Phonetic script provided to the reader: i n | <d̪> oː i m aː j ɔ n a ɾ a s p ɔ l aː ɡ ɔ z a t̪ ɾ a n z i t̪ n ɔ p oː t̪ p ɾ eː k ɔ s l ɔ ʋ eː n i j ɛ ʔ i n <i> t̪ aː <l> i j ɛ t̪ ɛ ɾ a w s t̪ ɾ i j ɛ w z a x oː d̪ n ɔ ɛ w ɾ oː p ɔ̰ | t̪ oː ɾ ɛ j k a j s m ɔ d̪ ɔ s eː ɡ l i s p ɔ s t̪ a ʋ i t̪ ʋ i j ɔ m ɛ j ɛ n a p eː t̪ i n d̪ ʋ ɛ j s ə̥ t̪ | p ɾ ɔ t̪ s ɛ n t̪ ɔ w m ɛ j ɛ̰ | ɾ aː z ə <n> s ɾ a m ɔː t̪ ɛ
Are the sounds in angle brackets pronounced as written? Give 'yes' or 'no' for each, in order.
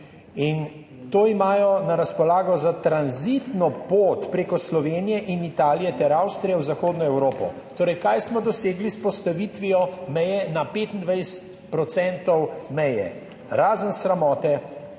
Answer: no, yes, yes, yes

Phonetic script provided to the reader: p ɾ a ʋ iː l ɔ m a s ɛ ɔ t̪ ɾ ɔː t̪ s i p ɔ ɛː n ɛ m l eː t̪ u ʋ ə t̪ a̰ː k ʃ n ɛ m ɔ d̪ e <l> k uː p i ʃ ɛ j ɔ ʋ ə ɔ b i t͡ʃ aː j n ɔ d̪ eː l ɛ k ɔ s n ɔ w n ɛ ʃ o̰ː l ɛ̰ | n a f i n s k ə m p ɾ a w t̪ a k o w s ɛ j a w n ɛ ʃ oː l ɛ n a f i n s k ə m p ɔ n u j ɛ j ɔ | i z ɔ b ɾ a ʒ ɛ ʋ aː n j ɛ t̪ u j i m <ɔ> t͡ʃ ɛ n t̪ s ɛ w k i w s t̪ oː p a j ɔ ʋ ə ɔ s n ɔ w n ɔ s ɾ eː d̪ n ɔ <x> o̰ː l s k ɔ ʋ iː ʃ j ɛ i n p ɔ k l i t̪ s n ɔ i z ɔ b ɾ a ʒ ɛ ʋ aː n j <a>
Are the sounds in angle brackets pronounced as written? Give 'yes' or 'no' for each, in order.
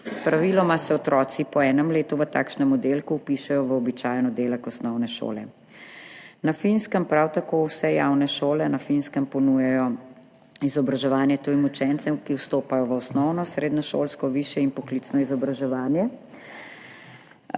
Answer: yes, no, no, no

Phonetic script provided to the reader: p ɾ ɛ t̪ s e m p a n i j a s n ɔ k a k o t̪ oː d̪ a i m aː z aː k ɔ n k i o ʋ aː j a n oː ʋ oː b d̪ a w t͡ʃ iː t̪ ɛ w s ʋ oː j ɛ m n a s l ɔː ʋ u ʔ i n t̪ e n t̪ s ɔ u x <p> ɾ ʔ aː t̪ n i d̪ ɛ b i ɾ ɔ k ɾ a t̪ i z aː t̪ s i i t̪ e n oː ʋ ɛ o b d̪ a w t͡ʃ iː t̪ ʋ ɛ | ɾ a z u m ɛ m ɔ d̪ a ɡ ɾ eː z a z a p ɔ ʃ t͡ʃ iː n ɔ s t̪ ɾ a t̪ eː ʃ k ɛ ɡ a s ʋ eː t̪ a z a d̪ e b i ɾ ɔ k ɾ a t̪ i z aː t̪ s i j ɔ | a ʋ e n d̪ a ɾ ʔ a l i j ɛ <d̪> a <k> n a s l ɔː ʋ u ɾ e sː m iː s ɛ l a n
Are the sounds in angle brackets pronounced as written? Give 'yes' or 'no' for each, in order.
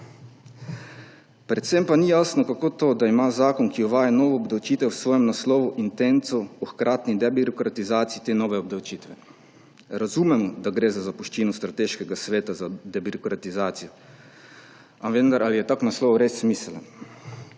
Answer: no, no, yes

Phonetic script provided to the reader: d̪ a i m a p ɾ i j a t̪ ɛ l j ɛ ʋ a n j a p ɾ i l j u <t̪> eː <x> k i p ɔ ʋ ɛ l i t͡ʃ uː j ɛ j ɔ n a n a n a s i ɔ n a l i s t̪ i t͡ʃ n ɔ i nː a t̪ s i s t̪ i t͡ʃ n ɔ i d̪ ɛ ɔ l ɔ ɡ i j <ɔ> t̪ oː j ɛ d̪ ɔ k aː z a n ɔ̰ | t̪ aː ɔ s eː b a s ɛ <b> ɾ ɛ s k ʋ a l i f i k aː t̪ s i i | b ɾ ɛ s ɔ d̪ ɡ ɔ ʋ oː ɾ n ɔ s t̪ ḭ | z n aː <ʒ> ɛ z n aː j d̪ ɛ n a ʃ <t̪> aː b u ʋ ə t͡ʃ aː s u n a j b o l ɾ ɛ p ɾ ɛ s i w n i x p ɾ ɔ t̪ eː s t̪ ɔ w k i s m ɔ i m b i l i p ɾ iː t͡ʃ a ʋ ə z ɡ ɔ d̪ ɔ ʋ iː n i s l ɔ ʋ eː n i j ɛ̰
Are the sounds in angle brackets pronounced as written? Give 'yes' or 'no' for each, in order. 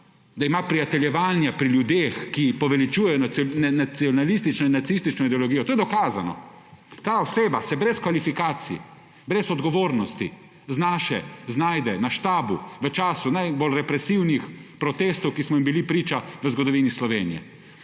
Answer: no, yes, yes, yes, no, yes

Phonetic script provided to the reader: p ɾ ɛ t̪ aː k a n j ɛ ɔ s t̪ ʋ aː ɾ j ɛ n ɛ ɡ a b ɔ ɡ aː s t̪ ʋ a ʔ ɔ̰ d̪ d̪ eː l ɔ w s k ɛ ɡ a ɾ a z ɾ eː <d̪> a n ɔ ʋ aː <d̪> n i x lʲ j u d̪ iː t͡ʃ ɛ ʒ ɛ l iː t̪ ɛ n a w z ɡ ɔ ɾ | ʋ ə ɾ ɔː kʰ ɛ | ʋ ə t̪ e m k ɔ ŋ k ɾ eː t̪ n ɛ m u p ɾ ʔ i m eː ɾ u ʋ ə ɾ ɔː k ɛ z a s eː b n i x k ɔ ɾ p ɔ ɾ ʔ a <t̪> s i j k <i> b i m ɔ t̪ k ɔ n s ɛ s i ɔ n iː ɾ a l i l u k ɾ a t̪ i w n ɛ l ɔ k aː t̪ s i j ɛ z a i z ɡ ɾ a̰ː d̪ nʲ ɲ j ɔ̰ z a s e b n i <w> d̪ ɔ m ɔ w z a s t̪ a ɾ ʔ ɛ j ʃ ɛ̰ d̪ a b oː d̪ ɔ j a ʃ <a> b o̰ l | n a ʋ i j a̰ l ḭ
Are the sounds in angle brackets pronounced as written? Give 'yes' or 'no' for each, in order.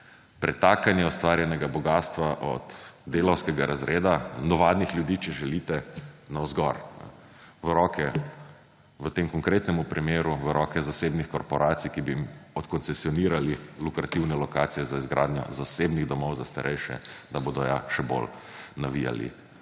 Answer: yes, yes, yes, yes, no, no

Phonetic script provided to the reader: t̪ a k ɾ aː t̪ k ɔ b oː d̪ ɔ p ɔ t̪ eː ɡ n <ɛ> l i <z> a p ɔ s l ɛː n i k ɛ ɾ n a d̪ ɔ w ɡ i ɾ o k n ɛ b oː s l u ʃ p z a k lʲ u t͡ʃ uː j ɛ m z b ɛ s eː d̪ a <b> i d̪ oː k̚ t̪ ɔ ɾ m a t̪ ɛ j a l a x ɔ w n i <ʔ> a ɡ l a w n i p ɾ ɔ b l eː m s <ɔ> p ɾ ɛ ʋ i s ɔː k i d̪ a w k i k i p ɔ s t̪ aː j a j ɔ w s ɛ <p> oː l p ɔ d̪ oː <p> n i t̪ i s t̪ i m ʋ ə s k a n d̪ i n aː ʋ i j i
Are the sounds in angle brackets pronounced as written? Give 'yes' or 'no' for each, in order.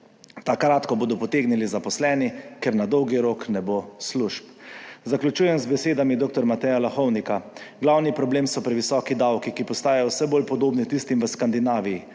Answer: no, yes, no, no, yes, no, no

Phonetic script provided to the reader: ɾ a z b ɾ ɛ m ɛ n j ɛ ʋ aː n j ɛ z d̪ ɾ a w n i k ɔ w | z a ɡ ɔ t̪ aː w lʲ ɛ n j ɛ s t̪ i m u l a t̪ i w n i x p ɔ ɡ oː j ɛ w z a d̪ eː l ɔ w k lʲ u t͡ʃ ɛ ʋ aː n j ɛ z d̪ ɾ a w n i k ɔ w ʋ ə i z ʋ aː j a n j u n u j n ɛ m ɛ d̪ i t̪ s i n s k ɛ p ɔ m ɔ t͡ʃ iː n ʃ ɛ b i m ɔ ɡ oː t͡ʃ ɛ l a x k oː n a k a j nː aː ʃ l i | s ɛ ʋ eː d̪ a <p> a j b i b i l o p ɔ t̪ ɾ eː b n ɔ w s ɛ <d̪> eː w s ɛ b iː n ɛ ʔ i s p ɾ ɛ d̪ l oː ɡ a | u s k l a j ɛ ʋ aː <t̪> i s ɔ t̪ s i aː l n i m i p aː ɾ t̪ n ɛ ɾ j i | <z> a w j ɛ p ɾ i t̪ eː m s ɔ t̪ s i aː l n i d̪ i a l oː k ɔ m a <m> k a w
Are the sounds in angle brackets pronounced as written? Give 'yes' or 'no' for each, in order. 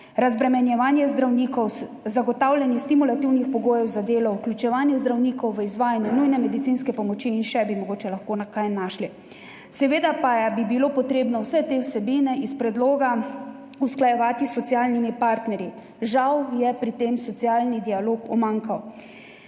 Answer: yes, no, yes, no, no

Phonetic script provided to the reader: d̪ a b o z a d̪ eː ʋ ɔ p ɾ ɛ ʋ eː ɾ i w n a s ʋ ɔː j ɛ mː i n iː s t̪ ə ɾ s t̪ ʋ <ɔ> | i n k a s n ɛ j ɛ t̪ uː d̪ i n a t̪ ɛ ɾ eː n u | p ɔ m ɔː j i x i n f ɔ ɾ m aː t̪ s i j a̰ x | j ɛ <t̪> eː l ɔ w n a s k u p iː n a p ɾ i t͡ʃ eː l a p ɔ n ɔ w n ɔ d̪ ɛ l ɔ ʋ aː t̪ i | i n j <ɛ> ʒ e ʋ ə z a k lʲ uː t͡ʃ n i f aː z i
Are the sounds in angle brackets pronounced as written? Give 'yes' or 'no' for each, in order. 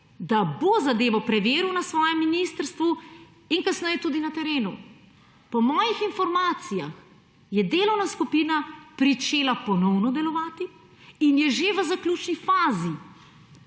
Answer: no, no, yes

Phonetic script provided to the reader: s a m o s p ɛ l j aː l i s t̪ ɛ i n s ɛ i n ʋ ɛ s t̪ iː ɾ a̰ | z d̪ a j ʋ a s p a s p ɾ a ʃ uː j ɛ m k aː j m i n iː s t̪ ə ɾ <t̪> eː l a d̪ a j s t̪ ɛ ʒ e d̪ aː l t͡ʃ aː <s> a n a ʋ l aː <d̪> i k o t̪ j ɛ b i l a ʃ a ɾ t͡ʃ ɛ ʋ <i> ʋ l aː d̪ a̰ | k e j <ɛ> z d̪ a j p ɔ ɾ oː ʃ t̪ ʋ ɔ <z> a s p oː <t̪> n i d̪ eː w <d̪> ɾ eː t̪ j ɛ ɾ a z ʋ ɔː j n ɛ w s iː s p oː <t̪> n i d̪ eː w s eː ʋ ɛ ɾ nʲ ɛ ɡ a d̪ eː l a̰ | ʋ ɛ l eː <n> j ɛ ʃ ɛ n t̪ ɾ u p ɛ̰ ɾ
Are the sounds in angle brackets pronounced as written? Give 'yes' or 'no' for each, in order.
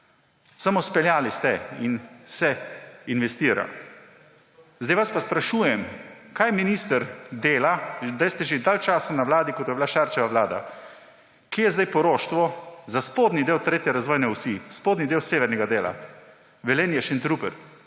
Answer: no, yes, yes, no, yes, yes, no, no, no, yes

